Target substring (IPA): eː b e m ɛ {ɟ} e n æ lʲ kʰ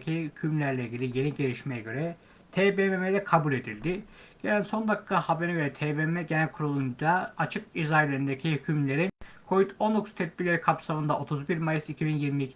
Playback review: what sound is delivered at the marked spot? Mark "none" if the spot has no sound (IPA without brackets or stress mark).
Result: ɟ